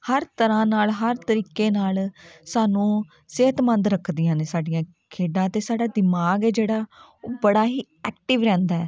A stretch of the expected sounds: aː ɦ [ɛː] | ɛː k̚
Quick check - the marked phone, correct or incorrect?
incorrect: iː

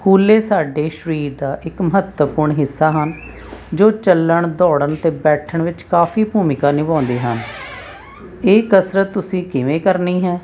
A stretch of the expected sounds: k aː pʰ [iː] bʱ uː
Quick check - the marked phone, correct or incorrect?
correct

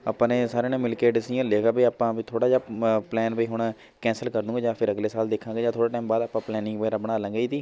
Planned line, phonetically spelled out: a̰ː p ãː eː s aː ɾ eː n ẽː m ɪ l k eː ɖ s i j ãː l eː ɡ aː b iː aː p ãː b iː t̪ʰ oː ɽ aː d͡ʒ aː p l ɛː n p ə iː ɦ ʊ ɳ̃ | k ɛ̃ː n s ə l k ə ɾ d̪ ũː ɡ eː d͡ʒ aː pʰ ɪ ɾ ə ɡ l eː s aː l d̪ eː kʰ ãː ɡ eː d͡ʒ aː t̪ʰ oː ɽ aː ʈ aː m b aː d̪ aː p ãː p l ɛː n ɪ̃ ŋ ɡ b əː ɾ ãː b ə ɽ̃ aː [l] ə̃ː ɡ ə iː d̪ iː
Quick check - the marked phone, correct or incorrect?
correct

